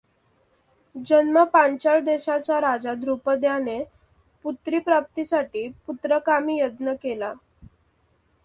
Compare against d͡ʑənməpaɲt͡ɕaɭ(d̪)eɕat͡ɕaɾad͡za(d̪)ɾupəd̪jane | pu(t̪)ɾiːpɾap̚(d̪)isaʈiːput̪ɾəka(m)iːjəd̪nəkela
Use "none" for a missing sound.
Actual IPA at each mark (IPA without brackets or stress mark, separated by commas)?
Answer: d̪, d̪, t̪, t̪, m